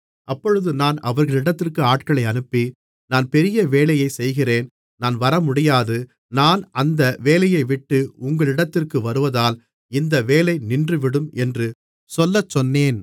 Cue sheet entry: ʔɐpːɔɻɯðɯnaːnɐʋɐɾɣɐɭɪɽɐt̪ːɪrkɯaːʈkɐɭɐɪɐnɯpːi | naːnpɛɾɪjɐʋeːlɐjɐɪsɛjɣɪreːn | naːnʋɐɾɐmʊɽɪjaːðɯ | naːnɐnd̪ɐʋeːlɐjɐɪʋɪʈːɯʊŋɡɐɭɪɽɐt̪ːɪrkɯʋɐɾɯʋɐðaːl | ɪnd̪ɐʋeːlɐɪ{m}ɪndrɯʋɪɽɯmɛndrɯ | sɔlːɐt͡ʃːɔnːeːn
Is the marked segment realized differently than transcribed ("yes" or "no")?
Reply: yes